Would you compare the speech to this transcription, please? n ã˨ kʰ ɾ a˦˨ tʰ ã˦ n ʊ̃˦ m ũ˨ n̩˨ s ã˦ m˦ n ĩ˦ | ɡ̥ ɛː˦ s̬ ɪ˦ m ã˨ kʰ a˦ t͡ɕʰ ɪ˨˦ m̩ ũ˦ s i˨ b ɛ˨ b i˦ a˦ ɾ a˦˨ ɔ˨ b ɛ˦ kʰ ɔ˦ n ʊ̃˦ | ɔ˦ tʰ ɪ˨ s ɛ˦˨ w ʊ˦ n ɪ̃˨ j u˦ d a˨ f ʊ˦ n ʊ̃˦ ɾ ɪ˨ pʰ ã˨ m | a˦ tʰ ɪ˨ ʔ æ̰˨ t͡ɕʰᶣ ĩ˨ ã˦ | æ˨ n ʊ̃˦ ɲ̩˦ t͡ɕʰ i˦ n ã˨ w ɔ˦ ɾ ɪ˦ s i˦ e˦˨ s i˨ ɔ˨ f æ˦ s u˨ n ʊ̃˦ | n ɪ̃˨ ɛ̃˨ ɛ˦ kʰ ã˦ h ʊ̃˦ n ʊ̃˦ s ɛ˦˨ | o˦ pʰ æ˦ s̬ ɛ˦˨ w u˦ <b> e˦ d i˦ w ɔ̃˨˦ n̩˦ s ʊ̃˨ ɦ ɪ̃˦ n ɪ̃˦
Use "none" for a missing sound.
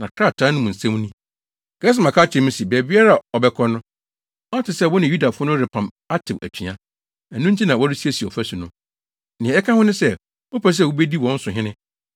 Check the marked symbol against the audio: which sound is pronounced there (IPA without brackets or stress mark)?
b